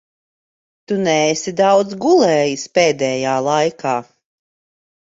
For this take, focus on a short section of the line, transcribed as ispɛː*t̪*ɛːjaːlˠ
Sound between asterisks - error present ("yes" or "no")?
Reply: yes